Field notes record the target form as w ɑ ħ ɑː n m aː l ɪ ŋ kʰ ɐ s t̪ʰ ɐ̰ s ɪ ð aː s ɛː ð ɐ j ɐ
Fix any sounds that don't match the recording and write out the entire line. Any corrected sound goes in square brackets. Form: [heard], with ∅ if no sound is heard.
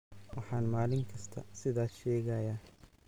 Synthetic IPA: w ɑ ħ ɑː n m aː l ɪ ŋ kʰ ɐ s t̪ʰ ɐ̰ s ɪ ð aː [ʃ] ɛː [ɣ] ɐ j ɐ